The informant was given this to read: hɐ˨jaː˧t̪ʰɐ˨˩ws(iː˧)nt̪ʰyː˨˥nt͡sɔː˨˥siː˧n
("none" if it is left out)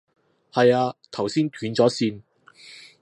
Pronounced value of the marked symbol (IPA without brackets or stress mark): iː˥